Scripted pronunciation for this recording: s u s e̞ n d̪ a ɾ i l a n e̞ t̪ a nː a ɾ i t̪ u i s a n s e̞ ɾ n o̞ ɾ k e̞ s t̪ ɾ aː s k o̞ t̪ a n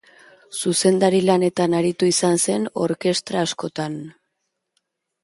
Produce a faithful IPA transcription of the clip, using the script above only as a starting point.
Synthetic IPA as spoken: s u s e̞ n d̪ a ɾ i l a n e̞ t̪ a n a ɾ i t̪ u i s a n s e̞ n o̞ ɾ k e̞ s t̪ ɾ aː s k o̞ t̪ a n